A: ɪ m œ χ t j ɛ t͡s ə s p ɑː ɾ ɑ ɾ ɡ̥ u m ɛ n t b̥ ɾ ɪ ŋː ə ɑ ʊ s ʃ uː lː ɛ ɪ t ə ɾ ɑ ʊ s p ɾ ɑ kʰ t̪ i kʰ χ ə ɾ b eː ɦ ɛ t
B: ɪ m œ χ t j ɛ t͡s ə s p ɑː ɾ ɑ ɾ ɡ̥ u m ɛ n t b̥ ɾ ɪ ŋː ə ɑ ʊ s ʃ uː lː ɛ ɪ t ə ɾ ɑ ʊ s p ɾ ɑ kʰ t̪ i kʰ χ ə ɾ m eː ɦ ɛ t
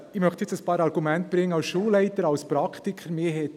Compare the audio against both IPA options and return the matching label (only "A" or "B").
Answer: B